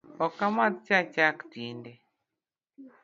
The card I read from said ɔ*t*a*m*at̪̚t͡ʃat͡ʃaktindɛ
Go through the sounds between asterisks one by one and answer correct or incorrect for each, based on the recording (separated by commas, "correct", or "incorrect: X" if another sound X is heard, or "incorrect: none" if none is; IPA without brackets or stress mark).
incorrect: k, correct